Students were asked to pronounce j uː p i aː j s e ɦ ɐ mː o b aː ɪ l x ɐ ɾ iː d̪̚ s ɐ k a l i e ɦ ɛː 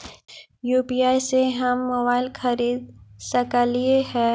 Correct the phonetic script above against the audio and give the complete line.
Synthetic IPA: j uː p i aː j s e ɦ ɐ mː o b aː ɪ l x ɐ ɾ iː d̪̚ s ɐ k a l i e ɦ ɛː